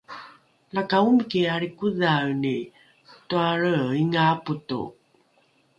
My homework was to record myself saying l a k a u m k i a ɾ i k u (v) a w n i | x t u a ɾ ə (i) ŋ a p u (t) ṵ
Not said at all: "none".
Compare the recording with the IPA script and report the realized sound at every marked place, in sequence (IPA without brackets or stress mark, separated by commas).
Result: ð, i, t